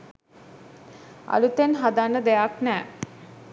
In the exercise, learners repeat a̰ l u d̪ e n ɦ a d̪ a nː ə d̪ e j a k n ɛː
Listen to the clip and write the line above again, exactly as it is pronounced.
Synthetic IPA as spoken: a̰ l u t̪ e n ɦ a d̪ a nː ə d̪ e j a k n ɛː